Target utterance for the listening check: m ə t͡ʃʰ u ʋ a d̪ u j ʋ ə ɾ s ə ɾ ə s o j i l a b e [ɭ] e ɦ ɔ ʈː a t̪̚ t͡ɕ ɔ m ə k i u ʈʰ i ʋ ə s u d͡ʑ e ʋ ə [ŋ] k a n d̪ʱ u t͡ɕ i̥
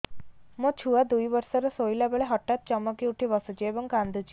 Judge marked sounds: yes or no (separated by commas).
yes, yes